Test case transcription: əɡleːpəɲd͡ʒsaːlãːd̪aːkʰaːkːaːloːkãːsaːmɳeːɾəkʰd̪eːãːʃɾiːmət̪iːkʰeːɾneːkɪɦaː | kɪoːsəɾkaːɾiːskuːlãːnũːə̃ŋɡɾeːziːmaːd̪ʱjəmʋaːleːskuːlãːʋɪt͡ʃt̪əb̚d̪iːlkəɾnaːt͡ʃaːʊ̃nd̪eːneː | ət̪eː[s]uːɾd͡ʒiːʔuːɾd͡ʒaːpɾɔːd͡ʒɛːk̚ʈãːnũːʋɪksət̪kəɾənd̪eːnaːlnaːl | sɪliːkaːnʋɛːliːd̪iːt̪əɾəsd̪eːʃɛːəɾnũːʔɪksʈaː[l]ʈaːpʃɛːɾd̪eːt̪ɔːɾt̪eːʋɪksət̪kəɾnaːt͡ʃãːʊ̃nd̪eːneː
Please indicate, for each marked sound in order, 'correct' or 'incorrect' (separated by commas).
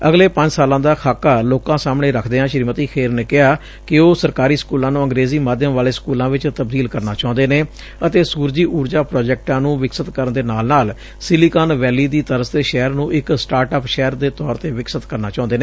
correct, incorrect